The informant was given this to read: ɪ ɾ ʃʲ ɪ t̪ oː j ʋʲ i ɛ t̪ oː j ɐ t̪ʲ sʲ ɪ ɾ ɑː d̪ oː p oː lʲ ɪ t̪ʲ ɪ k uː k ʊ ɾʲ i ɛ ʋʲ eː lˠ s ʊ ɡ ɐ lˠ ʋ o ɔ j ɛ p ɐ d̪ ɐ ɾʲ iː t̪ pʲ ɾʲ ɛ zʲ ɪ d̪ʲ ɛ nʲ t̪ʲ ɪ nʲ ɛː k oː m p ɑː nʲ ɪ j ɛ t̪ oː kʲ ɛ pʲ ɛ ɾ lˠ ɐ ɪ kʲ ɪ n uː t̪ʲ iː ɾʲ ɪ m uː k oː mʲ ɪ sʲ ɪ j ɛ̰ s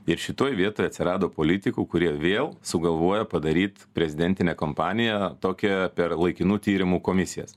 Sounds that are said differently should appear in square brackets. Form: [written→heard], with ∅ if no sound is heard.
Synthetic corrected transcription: ɪ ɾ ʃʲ ɪ t̪ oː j ʋʲ i ɛ t̪ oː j ɐ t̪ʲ sʲ ɪ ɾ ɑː d̪ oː p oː lʲ ɪ t̪ʲ ɪ k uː k ʊ ɾʲ i ɛ ʋʲ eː lˠ s ʊ ɡ ɐ lˠ ʋ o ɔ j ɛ p ɐ d̪ ɐ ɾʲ iː t̪ pʲ ɾʲ ɛ zʲ ɪ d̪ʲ ɛ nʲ t̪ʲ ɪ nʲ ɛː k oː m p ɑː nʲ ɪ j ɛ t̪ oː kʲ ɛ pʲ ɛ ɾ lˠ ɐ ɪ kʲ ɪ n uː t̪ʲ iː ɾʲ ɪ m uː k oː mʲ ɪ sʲ ɪ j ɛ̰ s